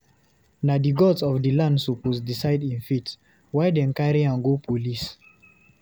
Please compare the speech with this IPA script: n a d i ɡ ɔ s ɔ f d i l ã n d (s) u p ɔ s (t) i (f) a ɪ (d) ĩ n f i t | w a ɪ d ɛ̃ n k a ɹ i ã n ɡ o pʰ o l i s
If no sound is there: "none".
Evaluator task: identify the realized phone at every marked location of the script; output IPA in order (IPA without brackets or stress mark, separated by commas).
s, d, s, d